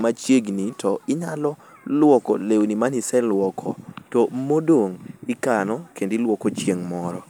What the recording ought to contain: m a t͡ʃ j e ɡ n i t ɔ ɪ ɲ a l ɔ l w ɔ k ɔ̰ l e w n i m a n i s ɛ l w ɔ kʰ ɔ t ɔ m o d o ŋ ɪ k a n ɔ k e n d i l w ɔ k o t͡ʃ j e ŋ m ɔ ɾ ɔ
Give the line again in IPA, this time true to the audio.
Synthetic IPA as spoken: m a t͡ʃ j e ɡ n i t ɔ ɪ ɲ a l ɔ l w ɔ k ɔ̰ l e w n i m a n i s ɛ l w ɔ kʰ ɔ t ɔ m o d o ŋ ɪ k a n ɔ k e n d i l w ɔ k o t͡ʃ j e ŋ m ɔ ɾ ɔ